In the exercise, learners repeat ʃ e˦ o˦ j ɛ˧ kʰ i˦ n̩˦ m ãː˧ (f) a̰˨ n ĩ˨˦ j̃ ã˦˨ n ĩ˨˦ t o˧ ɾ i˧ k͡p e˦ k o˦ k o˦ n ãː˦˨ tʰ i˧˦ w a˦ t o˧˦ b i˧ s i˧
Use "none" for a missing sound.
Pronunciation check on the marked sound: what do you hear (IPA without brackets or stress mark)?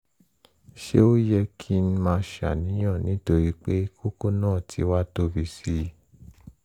ʃ